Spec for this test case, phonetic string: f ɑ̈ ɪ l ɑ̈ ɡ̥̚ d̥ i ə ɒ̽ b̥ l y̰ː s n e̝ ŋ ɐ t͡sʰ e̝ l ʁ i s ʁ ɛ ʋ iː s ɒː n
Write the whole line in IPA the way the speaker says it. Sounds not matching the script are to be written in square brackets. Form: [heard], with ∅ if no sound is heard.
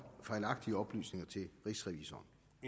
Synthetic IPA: f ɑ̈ ɪ l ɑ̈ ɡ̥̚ d̥ i ə ɒ̽ b̥ l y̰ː s n e̝ ŋ ɐ t͡sʰ e̝ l ʁ i s ʁ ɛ ʋ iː s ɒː n

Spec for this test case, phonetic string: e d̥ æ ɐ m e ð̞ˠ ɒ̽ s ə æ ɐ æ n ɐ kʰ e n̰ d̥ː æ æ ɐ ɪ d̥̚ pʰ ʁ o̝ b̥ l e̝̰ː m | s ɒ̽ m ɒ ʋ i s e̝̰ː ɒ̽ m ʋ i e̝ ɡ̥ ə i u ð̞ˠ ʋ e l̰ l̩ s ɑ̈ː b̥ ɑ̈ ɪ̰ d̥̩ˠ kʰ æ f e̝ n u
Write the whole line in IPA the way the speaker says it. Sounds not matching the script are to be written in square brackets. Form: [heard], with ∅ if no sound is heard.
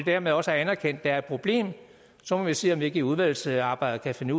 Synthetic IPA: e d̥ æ ɐ m e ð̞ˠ ɒ̽ s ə æ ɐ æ n ɐ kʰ e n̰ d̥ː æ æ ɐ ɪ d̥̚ pʰ ʁ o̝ b̥ l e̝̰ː m | s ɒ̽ m ɒ ʋ i s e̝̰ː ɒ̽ m ʋ i e̝ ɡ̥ ə i u ð̞ˠ ʋ [æ] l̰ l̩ s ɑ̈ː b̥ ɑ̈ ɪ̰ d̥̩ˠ kʰ æ f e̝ n u

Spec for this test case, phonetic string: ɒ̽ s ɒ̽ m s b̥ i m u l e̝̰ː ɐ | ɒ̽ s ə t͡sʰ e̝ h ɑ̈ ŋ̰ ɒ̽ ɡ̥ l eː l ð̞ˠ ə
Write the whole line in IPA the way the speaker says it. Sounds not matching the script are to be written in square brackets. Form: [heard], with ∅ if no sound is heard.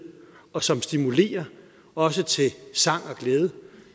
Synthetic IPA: ɒ̽ s ɒ̽ m s [d̥] i m u l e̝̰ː ɐ | ɒ̽ s ə t͡sʰ e̝ [s] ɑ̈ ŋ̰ ɒ̽ ɡ̥ l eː [∅] ð̞ˠ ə

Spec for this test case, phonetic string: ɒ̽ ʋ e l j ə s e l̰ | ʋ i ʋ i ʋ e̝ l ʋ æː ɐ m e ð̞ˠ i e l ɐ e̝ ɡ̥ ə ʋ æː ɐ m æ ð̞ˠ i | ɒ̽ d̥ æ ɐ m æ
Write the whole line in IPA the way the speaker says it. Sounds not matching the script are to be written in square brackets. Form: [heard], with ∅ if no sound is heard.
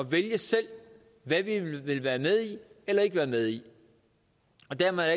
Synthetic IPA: ɒ̽ ʋ e l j ə s e l̰ | ʋ [æ] ʋ i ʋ e̝ l ʋ æː ɐ m e ð̞ˠ i e l ɐ e̝ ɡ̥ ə ʋ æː ɐ m [e] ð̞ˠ i | ɒ̽ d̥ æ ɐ m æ

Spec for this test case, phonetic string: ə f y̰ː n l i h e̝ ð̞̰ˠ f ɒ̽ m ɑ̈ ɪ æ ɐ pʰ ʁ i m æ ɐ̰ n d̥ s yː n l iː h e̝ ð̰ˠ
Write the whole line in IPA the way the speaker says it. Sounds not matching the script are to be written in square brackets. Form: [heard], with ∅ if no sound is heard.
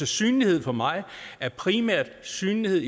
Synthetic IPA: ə [s] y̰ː n l i h e̝ ð̞̰ˠ f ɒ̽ m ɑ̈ ɪ æ ɐ pʰ ʁ i m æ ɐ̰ [∅] d̥ s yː n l [i] h e̝ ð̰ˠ

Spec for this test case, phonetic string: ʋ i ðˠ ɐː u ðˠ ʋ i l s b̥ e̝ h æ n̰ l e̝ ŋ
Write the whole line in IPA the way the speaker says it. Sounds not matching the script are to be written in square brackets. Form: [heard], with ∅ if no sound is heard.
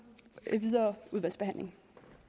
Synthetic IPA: ʋ i ðˠ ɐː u ðˠ ʋ [æ] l s b̥ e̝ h æ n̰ l e̝ ŋ

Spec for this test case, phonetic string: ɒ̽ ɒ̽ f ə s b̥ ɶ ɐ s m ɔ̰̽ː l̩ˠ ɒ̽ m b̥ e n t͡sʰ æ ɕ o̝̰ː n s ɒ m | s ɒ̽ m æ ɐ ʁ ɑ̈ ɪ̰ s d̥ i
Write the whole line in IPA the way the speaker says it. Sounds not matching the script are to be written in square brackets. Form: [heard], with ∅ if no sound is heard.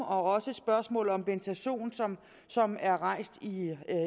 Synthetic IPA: ɒ̽ ɒ̽ [s] ə s b̥ ɶ ɐ s m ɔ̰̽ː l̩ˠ ɒ̽ m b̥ e n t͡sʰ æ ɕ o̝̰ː n s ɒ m | s ɒ̽ m æ ɐ ʁ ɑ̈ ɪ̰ s d̥ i

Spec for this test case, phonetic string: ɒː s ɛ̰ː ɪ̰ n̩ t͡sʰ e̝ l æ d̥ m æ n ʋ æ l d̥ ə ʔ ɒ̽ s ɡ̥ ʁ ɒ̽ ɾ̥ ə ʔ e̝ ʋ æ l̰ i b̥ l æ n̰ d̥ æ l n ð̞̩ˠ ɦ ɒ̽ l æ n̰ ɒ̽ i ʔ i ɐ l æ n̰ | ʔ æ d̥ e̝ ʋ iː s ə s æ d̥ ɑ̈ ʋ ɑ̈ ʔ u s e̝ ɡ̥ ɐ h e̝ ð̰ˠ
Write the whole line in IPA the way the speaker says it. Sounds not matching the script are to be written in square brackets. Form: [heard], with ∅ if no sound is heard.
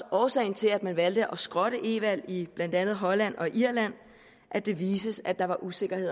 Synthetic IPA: ɒː s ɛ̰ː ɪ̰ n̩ t͡sʰ e̝ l æ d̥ m æ n ʋ æ l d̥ ə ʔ ɒ̽ s ɡ̥ ʁ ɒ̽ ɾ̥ ə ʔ e̝ ʋ æ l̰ i b̥ l æ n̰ d̥ æ [∅] n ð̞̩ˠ ɦ ɒ̽ l æ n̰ ɒ̽ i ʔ i ɐ l æ n̰ | ʔ æ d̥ e̝ ʋ iː s ə s æ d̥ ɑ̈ ʋ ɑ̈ ʔ u s e̝ ɡ̥ ɐ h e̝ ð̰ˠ

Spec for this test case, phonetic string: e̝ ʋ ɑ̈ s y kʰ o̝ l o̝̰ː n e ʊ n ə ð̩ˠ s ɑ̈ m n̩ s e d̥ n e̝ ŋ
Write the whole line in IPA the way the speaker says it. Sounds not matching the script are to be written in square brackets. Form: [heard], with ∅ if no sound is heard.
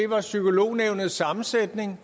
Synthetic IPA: e̝ ʋ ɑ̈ s y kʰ o̝ l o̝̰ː n e ʊ n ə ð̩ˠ s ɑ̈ m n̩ s e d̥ n e̝ ŋ

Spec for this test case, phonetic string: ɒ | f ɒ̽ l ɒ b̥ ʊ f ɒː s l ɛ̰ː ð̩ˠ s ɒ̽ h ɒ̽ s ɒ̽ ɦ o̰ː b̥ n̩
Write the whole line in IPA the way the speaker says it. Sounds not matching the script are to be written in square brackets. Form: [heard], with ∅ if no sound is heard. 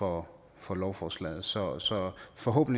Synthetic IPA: ɒ | f ɒ̽ l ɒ [∅] ʊ f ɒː s l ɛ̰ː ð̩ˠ s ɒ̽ [s] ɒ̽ [f] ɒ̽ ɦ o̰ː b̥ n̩

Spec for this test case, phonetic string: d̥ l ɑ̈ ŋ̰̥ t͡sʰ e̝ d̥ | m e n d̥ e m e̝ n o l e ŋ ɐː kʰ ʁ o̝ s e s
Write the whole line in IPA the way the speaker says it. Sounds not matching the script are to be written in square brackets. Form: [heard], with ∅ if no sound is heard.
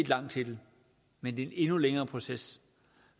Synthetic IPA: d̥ l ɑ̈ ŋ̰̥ t͡sʰ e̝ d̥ | m e n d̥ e [n] e̝ n [u] l e ŋ ɐː [pʰ] ʁ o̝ s e s

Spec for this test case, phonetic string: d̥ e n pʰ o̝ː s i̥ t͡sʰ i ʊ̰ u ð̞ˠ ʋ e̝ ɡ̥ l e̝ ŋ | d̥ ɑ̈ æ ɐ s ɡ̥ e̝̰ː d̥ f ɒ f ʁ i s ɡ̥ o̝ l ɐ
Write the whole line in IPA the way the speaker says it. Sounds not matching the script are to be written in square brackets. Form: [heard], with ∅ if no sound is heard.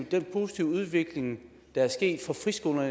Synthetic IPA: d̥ e n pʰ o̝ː s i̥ t͡sʰ i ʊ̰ u ð̞ˠ ʋ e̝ ɡ̥ l e̝ ŋ | d̥ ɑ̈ æ ɐ s ɡ̥ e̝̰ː d̥ f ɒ f ʁ i s ɡ̥ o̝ l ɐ

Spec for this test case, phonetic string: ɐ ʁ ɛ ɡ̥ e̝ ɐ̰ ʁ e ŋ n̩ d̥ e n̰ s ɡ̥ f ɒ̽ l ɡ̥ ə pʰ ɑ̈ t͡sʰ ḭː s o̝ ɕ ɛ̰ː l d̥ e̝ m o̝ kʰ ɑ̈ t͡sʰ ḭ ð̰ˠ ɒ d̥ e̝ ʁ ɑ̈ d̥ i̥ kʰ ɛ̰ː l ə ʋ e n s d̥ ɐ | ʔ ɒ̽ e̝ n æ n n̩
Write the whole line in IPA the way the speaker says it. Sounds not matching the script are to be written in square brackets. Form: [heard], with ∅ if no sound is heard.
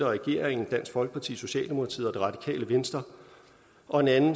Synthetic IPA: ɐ ʁ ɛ ɡ̥ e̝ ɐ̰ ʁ e ŋ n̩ d̥ [æ] n̰ s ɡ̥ f ɒ̽ l ɡ̥ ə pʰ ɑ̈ t͡sʰ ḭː s o̝ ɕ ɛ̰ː l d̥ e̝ m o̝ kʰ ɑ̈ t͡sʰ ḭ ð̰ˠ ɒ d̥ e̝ ʁ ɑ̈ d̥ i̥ kʰ ɛ̰ː l ə ʋ e n s d̥ ɐ | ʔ ɒ̽ e̝ n æ n n̩

